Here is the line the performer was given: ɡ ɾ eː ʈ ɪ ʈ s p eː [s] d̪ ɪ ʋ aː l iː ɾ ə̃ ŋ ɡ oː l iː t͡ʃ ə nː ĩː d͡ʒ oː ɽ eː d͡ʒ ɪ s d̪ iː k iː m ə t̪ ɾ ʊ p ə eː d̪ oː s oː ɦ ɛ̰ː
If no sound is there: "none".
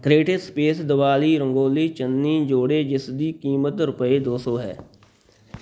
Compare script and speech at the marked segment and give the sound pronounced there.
s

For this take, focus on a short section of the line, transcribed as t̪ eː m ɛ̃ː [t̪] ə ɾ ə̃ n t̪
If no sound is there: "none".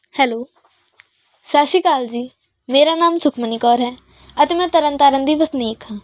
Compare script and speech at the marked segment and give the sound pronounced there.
t̪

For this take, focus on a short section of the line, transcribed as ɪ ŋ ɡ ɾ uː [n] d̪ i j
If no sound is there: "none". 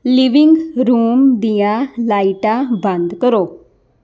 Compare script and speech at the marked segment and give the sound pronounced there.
m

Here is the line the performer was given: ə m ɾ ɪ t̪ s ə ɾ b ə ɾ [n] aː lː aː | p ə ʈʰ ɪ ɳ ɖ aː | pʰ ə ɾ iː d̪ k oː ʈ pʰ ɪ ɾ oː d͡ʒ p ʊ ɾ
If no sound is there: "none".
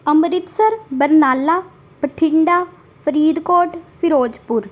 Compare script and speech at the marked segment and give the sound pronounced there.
n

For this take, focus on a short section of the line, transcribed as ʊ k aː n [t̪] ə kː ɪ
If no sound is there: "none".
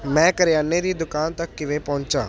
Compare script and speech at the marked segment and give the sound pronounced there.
t̪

